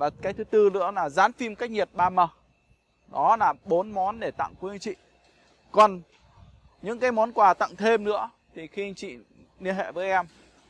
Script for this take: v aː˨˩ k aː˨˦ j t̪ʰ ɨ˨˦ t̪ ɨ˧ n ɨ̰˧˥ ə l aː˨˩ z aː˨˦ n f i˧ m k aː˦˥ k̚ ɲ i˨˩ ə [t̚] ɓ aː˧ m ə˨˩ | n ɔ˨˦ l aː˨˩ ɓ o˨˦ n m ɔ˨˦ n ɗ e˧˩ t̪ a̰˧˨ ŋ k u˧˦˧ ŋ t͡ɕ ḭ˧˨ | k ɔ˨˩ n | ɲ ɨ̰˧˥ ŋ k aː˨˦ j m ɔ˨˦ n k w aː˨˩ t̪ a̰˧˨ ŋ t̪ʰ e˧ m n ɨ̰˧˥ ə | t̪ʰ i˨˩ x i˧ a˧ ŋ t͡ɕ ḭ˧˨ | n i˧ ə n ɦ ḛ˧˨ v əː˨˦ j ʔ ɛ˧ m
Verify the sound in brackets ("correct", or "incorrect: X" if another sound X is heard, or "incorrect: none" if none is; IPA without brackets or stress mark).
correct